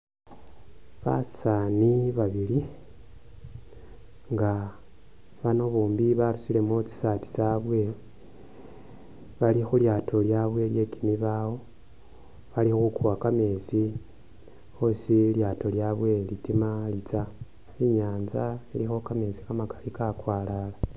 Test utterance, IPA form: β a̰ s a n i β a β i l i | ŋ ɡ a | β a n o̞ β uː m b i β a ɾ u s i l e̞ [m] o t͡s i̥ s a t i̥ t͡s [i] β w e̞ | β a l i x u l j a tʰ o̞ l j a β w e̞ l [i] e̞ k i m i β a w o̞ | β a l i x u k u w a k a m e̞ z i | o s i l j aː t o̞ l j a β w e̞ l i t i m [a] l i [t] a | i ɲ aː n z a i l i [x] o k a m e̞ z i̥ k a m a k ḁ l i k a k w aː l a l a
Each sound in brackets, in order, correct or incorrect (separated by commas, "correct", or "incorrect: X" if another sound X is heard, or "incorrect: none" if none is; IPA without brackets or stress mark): correct, incorrect: a, incorrect: j, correct, incorrect: t͡s, correct